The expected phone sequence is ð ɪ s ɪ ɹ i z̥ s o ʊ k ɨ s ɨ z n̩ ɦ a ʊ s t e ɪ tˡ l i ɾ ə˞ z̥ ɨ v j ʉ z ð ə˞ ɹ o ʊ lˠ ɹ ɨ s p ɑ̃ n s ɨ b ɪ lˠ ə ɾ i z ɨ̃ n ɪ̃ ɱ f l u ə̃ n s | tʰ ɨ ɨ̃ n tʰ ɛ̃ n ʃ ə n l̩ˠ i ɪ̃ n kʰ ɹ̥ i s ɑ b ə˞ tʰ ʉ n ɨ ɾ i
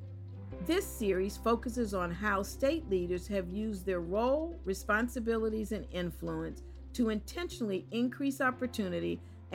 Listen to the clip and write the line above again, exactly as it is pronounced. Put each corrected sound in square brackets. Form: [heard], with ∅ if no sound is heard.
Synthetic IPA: ð ɪ s ɪ ɹ i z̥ [f] o ʊ k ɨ s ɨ z n̩ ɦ a ʊ s t e ɪ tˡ l i ɾ ə˞ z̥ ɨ v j ʉ z ð ə˞ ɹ o ʊ lˠ ɹ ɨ s p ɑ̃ n s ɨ b ɪ lˠ ə ɾ i z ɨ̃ n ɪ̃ ɱ f l u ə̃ n s | tʰ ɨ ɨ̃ n tʰ ɛ̃ n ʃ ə n l̩ˠ i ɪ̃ n kʰ ɹ̥ i s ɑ [p] ə˞ tʰ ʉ n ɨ ɾ i